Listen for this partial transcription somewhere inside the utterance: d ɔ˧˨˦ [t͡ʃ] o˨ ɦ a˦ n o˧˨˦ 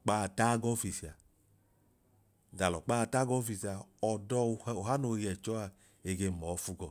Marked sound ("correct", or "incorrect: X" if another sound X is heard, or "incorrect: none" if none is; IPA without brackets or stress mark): incorrect: none